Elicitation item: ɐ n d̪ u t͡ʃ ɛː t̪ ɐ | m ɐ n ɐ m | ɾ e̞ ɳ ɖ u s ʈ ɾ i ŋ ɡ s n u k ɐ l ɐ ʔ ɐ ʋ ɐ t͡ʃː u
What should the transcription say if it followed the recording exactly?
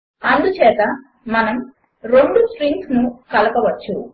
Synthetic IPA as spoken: ɐ n d̪ u t͡ʃ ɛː t̪ ɐ | m ɐ n ɐ m | ɾ e̞ ɳ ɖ u s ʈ ɾ i ŋ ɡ s n u k ɐ l ɐ p ɐ ʋ ɐ t͡ʃː u

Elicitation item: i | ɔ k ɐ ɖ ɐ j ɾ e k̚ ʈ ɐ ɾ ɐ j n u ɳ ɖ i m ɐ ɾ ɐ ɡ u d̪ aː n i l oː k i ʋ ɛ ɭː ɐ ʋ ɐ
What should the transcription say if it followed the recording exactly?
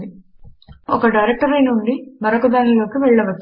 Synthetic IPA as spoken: i | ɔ k ɐ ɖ ɐ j ɾ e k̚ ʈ ɐ ɾ ɐ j n u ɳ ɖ i m ɐ ɾ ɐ k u d̪ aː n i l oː k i ʋ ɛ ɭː ɐ ʋ ɐ

